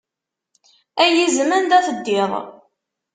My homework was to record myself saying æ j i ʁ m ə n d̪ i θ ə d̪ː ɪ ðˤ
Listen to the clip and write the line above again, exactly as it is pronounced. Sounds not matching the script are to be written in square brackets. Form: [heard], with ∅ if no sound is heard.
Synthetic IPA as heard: æ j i [z] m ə n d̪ [æ] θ ə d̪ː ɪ ðˤ